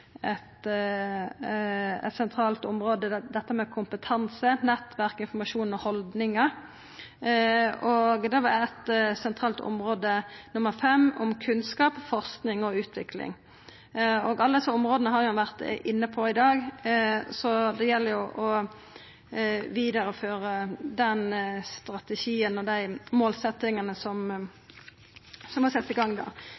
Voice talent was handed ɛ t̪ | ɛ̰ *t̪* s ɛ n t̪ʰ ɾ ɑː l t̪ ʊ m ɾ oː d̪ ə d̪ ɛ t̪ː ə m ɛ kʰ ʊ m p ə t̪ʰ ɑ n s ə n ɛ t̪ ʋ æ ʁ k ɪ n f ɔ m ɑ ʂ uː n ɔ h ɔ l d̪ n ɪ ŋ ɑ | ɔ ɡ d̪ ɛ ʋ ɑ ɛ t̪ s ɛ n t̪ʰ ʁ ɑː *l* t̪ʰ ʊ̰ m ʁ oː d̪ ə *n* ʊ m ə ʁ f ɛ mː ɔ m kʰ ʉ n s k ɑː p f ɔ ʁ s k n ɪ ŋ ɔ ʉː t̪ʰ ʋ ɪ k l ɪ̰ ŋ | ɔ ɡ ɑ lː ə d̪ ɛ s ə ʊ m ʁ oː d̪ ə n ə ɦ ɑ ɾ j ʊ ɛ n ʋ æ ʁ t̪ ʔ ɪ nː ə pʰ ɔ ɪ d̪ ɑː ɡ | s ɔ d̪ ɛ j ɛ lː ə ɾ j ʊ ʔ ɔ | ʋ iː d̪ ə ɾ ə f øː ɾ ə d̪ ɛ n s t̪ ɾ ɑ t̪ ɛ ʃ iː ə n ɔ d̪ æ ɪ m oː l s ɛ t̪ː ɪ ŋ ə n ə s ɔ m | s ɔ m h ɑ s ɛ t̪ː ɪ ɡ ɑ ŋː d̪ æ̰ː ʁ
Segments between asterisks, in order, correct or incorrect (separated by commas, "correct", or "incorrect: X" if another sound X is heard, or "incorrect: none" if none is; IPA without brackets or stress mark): correct, correct, correct